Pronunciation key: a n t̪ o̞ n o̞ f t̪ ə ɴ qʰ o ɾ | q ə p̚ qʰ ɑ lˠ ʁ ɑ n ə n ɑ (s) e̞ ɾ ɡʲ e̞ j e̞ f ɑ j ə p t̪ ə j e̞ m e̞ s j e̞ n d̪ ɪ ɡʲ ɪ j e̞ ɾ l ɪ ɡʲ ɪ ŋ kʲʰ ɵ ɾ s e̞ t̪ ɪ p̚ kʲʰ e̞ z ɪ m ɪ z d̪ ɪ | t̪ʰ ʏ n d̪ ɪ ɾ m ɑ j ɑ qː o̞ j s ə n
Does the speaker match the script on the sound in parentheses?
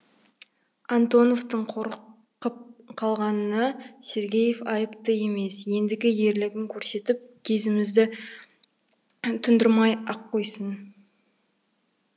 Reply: yes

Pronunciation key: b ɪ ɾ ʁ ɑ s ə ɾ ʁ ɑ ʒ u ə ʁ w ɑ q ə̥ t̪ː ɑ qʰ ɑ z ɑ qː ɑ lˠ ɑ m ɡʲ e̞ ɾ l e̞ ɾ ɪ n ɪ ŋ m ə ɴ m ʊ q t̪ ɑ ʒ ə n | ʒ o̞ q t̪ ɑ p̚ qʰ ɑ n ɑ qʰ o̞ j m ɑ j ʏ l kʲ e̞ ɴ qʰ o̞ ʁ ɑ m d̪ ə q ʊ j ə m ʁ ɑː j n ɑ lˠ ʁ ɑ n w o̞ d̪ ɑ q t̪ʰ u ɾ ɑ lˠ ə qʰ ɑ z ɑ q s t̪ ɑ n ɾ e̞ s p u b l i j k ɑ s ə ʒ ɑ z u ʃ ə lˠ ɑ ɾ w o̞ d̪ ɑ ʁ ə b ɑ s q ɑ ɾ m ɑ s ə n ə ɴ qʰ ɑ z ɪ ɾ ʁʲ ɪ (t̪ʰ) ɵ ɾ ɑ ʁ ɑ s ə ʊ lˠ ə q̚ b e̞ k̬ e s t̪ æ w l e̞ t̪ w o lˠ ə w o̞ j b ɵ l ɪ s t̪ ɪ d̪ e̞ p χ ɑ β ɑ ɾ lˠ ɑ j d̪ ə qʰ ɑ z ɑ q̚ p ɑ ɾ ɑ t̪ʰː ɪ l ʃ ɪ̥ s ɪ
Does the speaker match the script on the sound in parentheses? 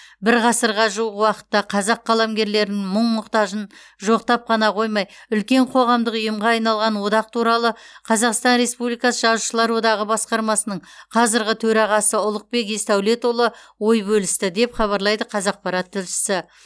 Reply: yes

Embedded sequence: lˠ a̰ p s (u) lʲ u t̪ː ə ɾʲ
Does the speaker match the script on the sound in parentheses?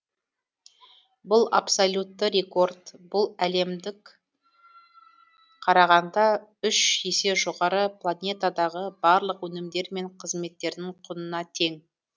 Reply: no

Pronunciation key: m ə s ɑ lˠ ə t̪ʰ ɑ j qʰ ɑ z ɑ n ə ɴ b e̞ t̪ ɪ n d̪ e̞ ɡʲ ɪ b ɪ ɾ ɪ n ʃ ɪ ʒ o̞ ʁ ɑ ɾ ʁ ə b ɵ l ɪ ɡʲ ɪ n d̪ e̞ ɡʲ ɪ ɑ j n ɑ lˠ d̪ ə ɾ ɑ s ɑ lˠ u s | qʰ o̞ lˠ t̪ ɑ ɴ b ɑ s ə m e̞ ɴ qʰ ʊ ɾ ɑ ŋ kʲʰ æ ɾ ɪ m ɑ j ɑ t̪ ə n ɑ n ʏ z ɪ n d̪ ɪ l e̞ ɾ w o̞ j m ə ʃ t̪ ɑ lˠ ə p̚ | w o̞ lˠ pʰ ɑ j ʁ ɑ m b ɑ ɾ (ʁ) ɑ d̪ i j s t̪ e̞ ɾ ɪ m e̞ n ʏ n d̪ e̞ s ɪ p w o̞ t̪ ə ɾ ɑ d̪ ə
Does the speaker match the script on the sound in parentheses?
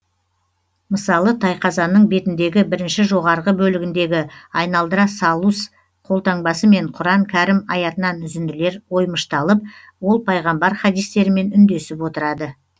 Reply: no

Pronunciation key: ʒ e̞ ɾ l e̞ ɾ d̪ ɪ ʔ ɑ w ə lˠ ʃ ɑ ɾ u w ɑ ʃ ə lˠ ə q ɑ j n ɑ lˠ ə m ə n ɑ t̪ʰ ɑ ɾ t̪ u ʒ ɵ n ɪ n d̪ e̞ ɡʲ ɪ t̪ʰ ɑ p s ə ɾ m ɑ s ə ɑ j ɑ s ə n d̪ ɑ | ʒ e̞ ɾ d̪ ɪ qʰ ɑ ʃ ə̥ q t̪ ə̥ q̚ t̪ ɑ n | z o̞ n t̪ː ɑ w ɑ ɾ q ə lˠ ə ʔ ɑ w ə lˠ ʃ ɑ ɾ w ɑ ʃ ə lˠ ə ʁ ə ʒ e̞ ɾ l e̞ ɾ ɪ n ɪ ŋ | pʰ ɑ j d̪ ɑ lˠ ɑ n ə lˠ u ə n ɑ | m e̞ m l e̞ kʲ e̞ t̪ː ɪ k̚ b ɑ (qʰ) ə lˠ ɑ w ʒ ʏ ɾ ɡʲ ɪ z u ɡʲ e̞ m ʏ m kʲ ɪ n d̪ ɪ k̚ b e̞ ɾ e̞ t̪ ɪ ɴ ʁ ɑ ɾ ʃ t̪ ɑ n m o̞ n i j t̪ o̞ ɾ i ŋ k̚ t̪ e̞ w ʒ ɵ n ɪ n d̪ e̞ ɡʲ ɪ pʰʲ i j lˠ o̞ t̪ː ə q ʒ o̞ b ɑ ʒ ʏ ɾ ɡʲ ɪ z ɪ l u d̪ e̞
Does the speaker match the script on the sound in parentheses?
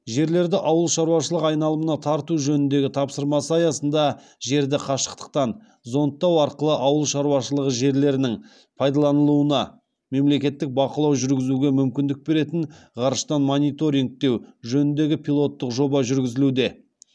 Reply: no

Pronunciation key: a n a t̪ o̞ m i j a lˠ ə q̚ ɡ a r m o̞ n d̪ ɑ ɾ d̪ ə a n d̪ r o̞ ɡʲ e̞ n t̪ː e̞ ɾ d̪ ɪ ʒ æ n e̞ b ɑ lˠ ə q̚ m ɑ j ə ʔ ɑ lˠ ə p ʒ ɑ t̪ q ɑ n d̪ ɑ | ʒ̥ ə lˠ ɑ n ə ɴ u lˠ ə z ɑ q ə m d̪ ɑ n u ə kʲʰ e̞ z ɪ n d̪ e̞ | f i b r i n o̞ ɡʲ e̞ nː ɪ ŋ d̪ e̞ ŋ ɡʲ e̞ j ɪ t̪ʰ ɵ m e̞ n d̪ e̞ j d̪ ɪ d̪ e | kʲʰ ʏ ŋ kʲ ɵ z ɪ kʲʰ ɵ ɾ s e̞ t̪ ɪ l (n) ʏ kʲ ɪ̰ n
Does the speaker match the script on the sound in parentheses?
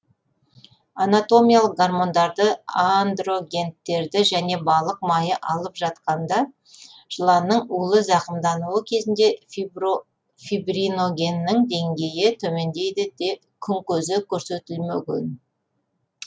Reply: no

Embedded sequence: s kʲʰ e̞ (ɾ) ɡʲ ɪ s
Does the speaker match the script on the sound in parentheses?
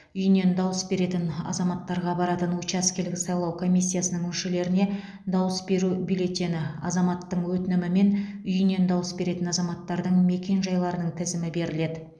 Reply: no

